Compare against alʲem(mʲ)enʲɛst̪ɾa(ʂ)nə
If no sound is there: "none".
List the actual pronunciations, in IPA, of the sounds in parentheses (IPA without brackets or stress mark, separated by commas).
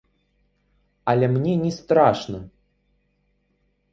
nʲ, ʂ